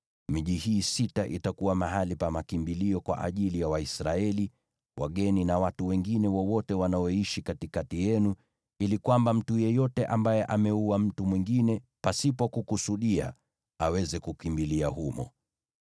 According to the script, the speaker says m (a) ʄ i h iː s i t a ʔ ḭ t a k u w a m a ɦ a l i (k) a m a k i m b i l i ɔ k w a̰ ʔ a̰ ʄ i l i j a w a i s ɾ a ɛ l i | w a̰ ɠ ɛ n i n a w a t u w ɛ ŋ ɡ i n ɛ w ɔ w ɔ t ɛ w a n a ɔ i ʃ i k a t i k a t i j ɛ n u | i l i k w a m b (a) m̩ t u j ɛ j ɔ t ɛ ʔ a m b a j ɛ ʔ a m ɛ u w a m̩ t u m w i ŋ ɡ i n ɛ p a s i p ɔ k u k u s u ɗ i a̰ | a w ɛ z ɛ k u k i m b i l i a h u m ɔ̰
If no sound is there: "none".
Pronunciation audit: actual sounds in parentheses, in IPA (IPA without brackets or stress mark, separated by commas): i, p, a